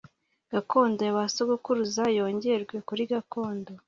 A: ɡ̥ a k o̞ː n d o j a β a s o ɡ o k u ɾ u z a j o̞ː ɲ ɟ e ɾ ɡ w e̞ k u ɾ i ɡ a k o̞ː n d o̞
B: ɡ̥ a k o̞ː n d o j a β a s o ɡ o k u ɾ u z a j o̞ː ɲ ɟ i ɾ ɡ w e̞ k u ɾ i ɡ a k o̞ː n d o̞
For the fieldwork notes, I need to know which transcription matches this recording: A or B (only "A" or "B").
A